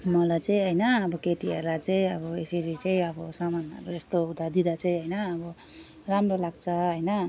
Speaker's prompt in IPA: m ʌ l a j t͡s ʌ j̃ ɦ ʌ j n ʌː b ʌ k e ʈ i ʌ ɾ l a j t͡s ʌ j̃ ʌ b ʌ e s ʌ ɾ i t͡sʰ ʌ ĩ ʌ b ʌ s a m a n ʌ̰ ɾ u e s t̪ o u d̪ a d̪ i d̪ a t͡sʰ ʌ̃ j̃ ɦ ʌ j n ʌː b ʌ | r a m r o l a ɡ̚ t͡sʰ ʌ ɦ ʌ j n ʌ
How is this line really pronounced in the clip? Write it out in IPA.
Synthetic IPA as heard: m ʌ l a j t͡s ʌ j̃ ɦ ʌ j n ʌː b ʌ k e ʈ i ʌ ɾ l a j t͡s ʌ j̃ ʌ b ʌ e s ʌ ɾ i t͡s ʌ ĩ ʌ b ʌ s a m a n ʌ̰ ɾ u e s t̪ o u d̪ a d̪ i d̪ a t͡s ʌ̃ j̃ ɦ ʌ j n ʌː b ʌ | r a m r o l a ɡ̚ t͡sʰ ʌ ɦ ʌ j n ʌ